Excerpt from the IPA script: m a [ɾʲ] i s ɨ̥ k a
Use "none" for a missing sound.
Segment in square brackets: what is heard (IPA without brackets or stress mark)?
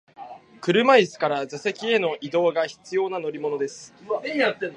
none